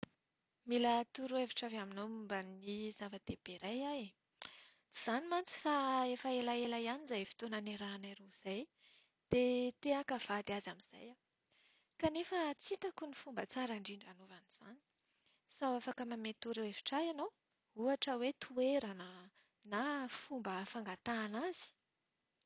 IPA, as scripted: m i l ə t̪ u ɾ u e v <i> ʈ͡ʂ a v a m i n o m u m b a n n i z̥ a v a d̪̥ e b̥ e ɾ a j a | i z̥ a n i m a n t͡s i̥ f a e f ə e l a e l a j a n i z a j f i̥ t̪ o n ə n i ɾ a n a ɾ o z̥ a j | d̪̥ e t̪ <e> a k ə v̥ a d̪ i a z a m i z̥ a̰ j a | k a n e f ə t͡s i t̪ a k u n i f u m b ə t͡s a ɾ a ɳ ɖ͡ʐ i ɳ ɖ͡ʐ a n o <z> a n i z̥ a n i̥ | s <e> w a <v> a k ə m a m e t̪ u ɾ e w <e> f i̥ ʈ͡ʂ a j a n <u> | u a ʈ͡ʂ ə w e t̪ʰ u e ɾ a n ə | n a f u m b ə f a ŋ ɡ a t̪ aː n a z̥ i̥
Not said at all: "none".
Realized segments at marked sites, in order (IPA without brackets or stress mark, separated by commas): i, e, v, a, f, e, o